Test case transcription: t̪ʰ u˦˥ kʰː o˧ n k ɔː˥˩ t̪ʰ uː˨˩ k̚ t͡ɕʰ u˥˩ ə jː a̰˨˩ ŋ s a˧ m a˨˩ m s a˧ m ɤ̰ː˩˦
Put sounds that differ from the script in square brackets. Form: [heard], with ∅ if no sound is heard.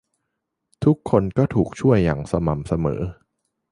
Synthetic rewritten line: t̪ʰ u˦˥ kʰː o˧ n k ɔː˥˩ t̪ʰ uː˨˩ k̚ t͡ɕʰ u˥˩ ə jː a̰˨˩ ŋ s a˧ m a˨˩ m s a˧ m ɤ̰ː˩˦